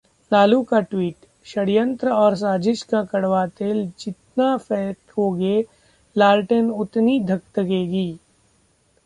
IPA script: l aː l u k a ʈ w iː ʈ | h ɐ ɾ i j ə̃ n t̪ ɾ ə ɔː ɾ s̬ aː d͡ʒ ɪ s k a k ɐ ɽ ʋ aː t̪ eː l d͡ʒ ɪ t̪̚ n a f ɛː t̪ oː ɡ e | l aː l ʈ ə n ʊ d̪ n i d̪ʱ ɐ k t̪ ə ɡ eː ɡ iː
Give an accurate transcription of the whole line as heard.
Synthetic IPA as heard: l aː l u k a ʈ w iː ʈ | ʃ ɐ ɽ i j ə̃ n t̪ ɾ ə ɔː ɾ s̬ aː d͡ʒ ɪ ʃ k a k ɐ ɽ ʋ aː t̪ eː l d͡ʒ ɪ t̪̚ n a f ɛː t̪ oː ɡ e | l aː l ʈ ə n ʊ t̪ n i d̪ʱ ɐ k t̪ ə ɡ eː ɡ iː